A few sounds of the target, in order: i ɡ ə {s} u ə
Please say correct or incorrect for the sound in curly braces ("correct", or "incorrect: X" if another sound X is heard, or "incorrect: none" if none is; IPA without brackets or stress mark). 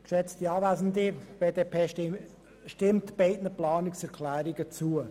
incorrect: t͡s